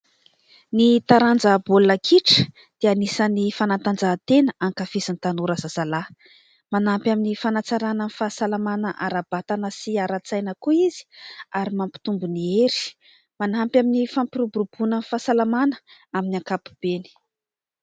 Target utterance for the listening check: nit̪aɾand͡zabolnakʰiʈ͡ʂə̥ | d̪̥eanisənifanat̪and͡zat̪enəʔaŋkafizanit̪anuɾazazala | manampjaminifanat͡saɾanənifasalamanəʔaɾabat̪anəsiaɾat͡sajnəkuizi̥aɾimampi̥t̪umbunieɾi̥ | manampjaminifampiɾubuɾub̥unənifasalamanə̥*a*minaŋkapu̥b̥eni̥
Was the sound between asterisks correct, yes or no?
yes